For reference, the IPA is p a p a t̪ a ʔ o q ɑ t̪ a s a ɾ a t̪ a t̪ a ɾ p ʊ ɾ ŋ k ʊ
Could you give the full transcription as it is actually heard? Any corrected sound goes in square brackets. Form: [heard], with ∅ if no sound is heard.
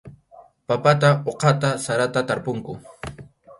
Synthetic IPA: p a p a t̪ a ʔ o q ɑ t̪ a s a ɾ a t̪ a t̪ a ɾ p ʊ [∅] ŋ k ʊ